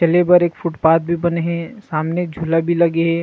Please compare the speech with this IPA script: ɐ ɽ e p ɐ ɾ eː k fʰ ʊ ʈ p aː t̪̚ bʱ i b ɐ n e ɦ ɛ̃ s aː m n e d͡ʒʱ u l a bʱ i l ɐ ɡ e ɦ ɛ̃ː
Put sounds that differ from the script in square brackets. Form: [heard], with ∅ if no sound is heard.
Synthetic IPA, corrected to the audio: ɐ [l] e [b] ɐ ɾ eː k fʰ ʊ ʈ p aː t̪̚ bʱ i b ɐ n e ɦ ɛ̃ s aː m n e d͡ʒʱ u l a bʱ i l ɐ ɡ e ɦ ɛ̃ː